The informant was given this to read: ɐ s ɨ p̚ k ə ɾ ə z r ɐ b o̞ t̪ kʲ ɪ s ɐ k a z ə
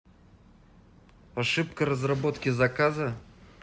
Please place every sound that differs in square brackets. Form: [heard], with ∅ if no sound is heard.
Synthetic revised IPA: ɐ [ʂ] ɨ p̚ k ə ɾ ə z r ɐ b o̞ t̪ kʲ ɪ [z] ɐ k a z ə